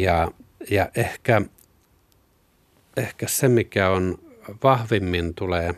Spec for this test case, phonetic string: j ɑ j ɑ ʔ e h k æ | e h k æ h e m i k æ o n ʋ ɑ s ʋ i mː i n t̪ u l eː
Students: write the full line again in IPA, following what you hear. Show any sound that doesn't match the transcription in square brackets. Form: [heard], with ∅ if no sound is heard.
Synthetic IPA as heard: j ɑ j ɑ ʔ e h k æ | e h k æ [s] e m i k æ o n ʋ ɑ [h] ʋ i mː i n t̪ u l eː